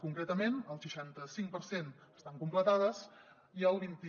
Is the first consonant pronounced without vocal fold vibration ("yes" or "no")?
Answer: yes